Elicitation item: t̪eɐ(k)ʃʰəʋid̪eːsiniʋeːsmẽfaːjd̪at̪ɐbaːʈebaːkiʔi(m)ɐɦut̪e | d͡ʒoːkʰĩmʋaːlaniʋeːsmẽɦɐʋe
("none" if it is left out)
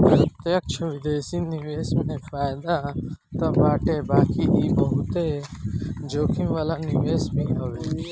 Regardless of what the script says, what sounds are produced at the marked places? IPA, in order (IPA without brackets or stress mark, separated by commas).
k, b